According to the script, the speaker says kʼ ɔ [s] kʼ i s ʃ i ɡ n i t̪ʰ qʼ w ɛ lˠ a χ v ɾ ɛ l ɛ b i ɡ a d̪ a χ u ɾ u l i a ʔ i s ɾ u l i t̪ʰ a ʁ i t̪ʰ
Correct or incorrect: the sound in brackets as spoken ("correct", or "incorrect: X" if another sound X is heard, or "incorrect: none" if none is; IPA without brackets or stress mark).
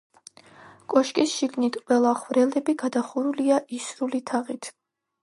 incorrect: ʃ